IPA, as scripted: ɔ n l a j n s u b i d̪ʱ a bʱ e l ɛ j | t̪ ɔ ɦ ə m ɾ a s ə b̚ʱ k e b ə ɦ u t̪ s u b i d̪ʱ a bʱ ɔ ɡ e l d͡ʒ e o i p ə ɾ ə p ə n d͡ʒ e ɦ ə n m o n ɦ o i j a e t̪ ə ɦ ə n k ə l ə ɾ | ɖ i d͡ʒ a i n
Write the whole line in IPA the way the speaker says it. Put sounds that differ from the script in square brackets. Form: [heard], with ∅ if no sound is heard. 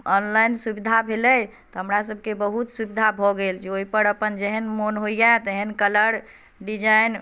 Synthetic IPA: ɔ n l a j n s u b i d̪ʱ a bʱ e l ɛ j | t̪ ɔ ɦ ə m ɾ a s ə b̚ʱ k e b ə ɦ u t̪ s u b i d̪ʱ a bʱ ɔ ɡ e l d͡ʒ e o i p ə ɾ ə p ə n d͡ʒ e ɦ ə n m o n ɦ o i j a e t̪ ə ɦ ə n k ə l ə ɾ | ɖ i d͡ʒ a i n